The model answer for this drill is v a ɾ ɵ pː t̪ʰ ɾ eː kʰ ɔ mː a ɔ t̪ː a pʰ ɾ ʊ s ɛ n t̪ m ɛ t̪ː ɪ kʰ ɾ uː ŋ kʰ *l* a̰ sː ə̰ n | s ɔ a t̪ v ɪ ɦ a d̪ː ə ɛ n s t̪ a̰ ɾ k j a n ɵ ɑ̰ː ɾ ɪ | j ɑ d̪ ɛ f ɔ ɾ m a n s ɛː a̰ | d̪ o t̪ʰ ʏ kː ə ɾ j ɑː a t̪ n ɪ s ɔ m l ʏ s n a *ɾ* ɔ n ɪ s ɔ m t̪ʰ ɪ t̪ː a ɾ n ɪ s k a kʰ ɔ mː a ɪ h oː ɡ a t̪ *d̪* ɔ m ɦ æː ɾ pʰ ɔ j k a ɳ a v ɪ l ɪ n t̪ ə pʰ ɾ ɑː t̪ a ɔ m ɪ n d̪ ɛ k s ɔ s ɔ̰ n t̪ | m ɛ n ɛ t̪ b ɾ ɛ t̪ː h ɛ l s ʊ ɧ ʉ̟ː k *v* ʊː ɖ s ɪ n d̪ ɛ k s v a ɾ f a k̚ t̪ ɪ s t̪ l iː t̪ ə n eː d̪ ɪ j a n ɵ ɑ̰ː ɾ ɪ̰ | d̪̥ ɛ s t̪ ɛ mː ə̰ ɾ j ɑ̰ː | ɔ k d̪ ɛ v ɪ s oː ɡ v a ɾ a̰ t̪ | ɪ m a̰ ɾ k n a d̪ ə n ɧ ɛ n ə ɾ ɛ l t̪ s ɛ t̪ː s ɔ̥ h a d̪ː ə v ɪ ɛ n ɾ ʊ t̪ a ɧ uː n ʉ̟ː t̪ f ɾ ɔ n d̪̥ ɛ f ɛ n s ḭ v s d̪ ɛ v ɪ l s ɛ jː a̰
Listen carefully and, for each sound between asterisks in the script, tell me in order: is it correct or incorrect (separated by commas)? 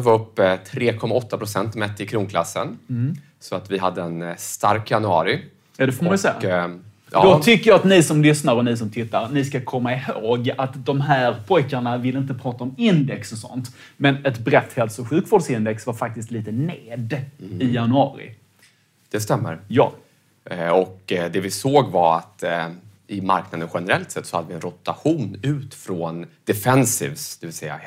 correct, correct, correct, correct